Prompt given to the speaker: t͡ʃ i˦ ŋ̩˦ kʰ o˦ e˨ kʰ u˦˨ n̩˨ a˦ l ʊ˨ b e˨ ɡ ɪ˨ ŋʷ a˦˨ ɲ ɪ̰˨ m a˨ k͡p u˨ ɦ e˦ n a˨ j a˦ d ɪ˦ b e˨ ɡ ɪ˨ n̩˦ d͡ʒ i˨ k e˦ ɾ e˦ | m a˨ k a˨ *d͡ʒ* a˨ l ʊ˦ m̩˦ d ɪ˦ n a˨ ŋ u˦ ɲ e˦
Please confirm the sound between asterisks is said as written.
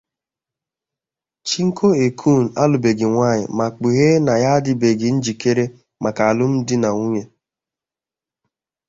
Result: no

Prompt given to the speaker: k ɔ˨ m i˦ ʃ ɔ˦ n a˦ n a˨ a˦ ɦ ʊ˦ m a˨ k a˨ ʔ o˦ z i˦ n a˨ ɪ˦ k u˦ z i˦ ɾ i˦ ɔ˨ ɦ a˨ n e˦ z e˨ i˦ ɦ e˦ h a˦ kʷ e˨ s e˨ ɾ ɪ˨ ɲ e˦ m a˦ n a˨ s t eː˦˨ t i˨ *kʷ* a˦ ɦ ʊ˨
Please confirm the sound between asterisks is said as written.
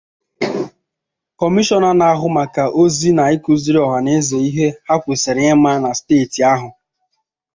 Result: no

